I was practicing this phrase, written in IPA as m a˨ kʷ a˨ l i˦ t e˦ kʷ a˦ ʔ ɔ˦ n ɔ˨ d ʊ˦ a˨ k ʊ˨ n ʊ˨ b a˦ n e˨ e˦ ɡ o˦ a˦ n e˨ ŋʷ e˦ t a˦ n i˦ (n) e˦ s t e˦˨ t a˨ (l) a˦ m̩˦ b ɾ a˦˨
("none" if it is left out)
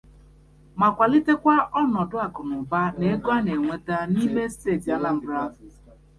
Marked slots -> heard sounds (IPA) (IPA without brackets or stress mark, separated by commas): m, l